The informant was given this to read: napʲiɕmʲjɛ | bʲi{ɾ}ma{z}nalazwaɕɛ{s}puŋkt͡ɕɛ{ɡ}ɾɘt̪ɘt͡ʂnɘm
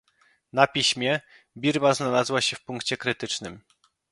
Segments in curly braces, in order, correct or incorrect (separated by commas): correct, correct, incorrect, incorrect